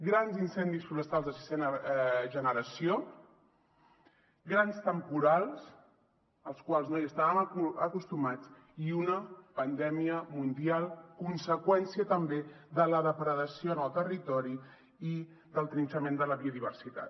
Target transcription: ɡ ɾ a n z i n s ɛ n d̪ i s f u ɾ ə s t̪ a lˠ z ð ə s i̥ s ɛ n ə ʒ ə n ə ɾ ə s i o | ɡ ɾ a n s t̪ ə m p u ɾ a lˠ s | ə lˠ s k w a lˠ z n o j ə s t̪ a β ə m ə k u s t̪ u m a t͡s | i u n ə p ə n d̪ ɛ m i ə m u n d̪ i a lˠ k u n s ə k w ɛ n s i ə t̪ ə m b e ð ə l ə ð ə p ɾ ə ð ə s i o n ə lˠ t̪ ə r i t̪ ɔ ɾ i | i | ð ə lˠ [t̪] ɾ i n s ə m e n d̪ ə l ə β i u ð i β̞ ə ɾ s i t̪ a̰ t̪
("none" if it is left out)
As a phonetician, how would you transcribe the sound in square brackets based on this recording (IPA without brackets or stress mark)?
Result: t̪